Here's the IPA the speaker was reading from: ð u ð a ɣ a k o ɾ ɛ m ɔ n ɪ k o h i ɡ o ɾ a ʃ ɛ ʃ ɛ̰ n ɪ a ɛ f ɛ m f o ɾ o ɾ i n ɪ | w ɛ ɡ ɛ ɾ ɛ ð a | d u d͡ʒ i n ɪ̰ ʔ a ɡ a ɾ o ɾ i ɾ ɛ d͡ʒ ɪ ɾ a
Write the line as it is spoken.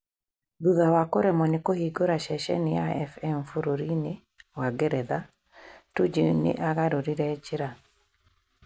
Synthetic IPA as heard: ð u ð a w a k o ɾ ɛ m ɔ n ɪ k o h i ɡ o ɾ a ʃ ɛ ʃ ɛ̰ n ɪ a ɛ f ɛ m f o ɾ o ɾ i n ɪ | w a ɡ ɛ ɾ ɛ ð a | t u d͡ʒ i n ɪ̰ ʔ a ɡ a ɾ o ɾ i ɾ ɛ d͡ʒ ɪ ɾ a